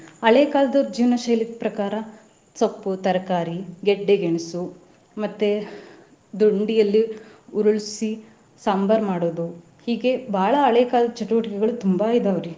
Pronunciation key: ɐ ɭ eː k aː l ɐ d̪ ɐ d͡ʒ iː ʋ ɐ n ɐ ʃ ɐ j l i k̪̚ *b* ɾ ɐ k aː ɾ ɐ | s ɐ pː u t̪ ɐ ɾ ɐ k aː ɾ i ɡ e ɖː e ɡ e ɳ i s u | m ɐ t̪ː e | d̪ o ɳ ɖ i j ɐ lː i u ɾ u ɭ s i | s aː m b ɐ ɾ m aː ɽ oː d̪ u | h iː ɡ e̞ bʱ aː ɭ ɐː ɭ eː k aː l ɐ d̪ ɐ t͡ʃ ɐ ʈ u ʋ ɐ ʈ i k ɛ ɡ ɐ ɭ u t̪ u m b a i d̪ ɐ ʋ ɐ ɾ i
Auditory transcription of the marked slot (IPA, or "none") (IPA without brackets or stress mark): p